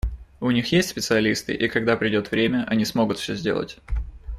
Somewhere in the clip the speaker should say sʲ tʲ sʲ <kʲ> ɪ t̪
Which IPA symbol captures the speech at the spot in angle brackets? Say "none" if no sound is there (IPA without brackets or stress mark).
pʲ